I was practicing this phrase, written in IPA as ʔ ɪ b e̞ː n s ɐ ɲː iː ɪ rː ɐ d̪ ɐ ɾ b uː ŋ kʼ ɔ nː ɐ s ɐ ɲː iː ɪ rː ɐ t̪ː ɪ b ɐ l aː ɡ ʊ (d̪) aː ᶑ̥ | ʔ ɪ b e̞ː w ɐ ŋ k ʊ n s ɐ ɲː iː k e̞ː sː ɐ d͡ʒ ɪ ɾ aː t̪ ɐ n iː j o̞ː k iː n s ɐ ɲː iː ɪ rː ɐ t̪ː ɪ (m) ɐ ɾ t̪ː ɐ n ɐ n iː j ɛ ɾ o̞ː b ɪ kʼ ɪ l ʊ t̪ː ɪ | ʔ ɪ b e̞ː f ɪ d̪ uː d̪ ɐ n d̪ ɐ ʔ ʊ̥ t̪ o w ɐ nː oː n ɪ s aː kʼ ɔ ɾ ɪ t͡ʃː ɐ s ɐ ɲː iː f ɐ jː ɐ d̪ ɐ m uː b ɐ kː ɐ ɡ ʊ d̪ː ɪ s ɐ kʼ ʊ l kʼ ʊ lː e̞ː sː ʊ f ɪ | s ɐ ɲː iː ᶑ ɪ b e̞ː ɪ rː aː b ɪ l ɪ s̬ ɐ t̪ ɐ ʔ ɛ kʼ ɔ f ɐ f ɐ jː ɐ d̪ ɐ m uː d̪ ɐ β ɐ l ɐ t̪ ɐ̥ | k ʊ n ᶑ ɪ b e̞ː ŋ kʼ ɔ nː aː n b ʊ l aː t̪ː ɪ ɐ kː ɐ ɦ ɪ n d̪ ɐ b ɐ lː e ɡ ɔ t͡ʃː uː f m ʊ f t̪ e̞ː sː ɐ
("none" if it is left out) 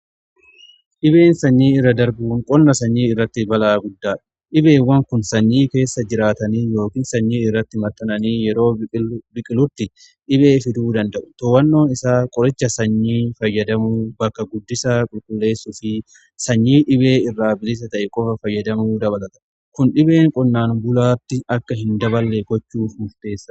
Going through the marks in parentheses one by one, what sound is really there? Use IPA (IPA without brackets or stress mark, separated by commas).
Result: d̪ː, m